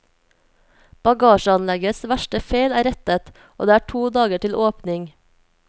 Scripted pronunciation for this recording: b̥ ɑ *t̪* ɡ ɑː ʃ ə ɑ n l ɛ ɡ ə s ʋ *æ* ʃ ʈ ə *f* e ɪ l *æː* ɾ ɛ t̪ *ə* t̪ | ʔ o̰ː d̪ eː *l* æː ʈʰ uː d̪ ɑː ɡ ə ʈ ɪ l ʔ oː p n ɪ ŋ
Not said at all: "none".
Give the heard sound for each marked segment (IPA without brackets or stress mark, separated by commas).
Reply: none, æ, f, æː, ə, none